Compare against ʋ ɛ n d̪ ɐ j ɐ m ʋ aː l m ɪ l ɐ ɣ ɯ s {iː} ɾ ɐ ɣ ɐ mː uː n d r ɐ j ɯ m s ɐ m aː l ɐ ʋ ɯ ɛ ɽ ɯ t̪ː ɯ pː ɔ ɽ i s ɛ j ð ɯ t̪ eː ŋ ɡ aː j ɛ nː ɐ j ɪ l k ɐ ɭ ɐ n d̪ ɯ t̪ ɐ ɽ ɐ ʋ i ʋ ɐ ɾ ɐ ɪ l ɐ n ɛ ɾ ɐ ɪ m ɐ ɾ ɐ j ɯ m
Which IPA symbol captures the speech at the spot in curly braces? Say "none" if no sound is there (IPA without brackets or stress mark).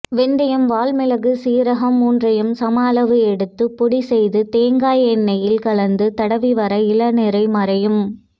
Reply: iː